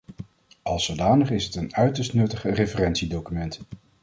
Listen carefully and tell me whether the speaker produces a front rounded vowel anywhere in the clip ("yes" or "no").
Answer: yes